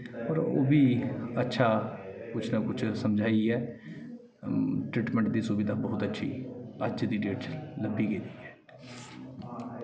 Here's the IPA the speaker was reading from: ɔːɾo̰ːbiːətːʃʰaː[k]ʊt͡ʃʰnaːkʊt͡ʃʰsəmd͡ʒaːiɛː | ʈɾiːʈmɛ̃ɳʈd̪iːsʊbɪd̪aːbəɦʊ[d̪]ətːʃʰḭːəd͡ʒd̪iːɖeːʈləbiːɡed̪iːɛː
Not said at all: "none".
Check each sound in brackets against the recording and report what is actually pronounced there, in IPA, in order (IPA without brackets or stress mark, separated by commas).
k, t̪